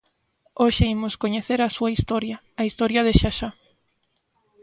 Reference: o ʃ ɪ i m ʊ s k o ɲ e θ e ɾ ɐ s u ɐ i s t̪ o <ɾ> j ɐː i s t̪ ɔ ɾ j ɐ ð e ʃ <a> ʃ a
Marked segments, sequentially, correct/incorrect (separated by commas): correct, correct